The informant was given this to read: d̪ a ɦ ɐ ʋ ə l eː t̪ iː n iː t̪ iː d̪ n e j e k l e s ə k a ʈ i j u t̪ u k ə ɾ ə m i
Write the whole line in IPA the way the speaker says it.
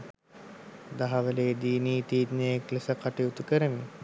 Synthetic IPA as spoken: d̪ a ɦ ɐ ʋ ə l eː d̪ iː n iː t̪ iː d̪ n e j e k l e s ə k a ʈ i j u t̪ u k ə ɾ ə m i